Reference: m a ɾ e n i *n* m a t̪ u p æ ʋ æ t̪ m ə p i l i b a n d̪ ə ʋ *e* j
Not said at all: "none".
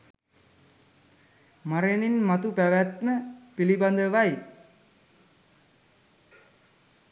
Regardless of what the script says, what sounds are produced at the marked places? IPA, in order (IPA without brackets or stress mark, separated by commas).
n, a